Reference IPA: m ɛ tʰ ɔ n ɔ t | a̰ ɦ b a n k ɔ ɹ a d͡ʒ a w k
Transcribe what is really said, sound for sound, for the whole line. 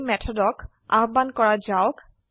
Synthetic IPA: m ɛ tʰ ɔ d ɔ k | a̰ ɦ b a n k ɔ ɹ a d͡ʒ a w k